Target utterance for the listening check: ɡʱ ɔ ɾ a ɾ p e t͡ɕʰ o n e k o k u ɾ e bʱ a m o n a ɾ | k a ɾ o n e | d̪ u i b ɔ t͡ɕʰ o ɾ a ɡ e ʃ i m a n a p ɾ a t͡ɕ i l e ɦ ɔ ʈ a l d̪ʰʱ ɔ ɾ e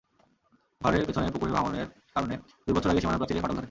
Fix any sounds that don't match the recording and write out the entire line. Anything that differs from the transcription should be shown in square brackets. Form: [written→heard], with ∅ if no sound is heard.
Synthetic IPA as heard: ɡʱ ɔ ɾ [a→e] ɾ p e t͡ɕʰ o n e [k→p] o k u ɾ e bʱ a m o n [a→e] ɾ | k a ɾ o n e | d̪ u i b ɔ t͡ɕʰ o ɾ a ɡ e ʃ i m a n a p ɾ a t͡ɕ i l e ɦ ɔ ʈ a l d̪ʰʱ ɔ ɾ e